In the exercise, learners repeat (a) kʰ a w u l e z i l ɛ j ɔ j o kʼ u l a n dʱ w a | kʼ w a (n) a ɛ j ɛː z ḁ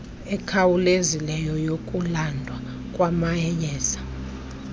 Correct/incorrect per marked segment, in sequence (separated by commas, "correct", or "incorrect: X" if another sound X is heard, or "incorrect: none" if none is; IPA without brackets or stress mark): incorrect: ɛ, incorrect: m